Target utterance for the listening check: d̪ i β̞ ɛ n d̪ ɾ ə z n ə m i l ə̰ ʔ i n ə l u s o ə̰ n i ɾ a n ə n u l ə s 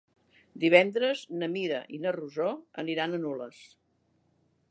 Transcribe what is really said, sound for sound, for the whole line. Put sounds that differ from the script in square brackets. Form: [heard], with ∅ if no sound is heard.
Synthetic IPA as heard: d̪ i β̞ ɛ n d̪ ɾ ə z n ə m i [ɾ] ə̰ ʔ i n ə [r] u [z] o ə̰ n i ɾ a n ə n u l ə s